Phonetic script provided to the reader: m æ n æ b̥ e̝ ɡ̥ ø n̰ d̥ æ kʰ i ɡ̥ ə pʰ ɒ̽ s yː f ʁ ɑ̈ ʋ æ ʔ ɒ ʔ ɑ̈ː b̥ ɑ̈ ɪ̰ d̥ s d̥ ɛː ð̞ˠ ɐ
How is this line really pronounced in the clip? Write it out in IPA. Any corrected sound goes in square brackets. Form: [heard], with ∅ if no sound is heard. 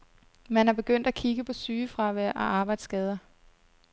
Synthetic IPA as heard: m æ n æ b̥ e̝ ɡ̥ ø n̰ d̥ æ kʰ i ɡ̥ ə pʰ ɒ̽ s yː f ʁ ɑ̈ ʋ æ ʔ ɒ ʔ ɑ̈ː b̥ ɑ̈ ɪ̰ d̥ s [ɡ̥] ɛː ð̞ˠ ɐ